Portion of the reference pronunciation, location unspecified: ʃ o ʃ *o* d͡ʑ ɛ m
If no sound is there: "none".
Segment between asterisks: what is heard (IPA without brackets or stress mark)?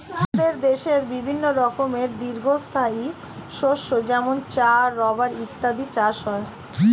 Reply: o